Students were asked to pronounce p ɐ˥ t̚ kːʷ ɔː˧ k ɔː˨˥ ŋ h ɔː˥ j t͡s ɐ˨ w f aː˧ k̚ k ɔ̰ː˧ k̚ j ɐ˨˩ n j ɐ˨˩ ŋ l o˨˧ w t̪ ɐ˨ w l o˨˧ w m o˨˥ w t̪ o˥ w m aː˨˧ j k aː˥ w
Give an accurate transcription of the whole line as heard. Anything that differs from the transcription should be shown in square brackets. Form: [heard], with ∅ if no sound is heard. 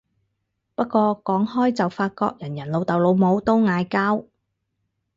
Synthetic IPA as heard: p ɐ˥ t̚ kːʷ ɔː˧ k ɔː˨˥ ŋ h ɔː˥ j t͡s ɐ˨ w f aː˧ [t̚] k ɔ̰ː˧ k̚ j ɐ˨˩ n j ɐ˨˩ [n] l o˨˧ w t̪ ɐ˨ w l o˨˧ w m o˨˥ w t̪ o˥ w [ŋ] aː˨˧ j k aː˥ w

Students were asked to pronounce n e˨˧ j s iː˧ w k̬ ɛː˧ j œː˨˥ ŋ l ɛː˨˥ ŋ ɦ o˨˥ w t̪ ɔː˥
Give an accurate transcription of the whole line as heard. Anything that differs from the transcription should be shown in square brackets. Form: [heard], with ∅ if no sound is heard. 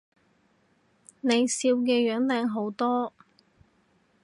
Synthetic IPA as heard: n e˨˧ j s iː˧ w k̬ ɛː˧ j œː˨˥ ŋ l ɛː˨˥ ŋ ɦ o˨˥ w t̪ ɔː˥

